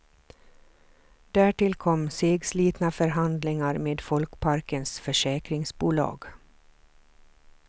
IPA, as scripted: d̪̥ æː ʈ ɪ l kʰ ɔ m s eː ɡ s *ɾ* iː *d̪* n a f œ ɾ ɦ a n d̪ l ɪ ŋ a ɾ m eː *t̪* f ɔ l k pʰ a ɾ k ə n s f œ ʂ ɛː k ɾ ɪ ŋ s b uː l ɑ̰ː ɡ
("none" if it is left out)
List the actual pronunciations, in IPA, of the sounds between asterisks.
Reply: l, t̪, d̪

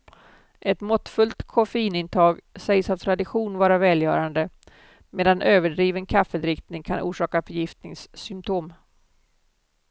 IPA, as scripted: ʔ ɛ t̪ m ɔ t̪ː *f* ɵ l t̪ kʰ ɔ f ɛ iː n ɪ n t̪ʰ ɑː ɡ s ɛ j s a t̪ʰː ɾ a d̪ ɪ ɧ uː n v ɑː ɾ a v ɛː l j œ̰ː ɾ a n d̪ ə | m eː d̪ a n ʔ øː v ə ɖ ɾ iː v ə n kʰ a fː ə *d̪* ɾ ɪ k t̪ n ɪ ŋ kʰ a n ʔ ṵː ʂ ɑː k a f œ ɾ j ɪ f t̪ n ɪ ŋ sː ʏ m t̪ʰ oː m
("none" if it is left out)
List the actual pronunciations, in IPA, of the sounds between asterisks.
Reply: f, d̪

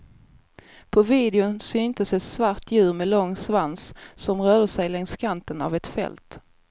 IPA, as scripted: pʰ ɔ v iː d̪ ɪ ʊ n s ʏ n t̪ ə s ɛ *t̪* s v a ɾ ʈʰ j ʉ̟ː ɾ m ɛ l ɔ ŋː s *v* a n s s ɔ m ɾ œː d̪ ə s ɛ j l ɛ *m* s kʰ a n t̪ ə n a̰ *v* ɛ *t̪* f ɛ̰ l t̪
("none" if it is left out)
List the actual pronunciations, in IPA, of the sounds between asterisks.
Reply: t̪, v, ŋ, v, t̪

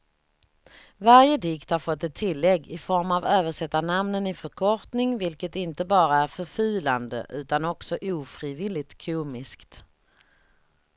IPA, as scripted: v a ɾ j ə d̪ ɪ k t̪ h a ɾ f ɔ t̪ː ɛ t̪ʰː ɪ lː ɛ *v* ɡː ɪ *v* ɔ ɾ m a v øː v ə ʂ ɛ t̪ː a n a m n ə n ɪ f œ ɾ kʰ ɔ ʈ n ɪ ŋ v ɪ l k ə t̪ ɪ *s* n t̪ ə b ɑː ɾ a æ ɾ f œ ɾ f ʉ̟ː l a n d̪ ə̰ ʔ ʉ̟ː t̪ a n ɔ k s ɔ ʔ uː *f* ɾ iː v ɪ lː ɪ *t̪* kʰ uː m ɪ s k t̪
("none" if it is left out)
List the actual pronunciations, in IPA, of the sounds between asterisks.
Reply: none, f, none, f, t̪

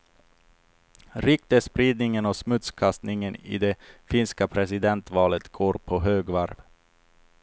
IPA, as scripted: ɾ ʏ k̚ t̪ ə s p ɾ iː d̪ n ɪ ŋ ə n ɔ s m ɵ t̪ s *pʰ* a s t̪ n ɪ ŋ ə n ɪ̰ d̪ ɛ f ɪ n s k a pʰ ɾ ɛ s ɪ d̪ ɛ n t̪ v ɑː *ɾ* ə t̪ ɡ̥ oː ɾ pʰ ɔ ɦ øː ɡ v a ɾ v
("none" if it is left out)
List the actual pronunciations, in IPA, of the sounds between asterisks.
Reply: kʰ, l

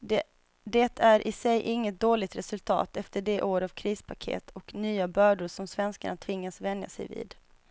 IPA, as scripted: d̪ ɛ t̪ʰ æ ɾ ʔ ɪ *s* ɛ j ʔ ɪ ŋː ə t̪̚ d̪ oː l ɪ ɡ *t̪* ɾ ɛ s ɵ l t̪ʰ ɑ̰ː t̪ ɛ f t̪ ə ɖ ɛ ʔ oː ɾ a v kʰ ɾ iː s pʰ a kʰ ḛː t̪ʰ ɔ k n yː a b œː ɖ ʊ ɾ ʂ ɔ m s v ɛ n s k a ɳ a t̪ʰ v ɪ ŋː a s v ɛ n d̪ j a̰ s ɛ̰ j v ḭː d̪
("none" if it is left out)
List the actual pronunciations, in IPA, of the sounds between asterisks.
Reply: s, t̪

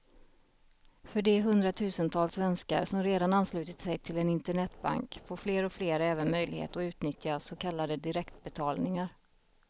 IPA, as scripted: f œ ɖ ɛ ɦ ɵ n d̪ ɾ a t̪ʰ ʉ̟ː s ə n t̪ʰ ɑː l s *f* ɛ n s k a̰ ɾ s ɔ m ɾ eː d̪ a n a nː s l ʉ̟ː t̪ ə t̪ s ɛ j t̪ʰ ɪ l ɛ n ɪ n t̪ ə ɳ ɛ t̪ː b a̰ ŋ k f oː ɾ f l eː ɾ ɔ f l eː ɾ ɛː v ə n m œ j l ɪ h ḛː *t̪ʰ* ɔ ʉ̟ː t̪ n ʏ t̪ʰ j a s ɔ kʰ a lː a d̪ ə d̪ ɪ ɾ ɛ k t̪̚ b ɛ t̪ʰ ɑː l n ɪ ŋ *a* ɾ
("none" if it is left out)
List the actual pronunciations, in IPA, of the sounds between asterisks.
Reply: v, t̪, a

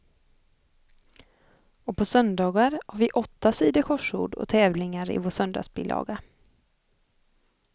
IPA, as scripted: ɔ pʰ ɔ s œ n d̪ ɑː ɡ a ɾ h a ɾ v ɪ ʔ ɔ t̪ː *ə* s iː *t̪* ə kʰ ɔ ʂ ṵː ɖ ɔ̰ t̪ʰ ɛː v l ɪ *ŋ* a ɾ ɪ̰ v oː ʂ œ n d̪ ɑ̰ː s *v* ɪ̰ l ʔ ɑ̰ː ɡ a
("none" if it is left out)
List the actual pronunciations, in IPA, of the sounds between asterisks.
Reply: a, d̪, ŋ, b

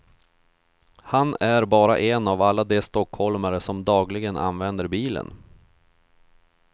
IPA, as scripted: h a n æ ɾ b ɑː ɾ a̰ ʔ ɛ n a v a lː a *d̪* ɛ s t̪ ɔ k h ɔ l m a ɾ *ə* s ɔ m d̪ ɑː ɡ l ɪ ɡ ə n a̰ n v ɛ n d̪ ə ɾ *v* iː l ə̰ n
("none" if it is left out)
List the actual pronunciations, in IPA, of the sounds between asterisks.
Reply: d̪, ə, b

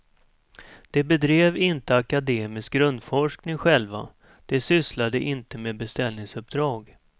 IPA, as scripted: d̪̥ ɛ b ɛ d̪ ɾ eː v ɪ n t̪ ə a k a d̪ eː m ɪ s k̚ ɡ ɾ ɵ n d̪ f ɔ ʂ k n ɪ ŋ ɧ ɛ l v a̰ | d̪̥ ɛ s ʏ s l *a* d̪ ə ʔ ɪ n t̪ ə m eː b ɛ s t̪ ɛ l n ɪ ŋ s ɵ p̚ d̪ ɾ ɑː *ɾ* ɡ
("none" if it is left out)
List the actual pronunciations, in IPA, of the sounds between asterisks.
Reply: a, none

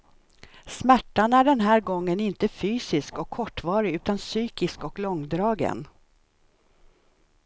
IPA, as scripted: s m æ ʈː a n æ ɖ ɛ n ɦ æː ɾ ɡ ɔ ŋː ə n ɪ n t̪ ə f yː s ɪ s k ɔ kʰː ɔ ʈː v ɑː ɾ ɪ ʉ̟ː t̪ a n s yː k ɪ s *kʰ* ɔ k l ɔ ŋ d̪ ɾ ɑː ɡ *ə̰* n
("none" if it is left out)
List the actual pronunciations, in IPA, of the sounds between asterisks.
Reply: k, ə̰

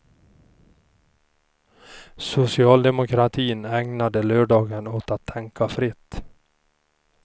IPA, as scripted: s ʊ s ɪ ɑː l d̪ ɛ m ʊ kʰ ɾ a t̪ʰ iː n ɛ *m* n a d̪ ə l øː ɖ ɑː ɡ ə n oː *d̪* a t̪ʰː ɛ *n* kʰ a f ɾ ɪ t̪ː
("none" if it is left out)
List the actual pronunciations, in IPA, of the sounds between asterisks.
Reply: ŋ, t̪, ŋ

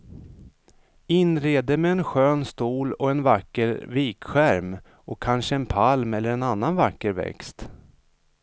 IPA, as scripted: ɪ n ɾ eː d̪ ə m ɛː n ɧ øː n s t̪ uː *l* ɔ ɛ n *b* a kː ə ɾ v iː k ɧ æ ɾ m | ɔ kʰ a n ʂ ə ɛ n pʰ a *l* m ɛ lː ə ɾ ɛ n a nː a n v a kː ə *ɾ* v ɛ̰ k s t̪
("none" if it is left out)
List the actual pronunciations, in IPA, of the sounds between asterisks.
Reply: l, v, l, ɾ

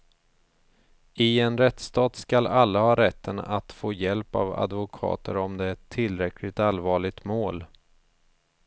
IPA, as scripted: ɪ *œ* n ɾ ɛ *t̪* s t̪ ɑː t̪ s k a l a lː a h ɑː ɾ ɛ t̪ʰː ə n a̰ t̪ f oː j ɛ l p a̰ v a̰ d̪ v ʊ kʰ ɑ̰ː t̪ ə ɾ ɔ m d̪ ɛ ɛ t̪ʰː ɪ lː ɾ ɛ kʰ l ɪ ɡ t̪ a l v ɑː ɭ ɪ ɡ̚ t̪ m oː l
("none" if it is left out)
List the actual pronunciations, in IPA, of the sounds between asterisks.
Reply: ɛ, t̪

